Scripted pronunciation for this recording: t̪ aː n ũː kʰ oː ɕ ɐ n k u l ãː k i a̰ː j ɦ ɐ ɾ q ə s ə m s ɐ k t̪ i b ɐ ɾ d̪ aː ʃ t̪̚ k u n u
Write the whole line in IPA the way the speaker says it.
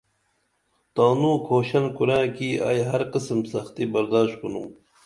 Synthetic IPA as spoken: t̪ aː n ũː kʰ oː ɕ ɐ n k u ɾ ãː k i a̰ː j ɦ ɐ ɾ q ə s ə m s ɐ x t̪ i b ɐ ɾ d̪ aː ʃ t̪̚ k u n u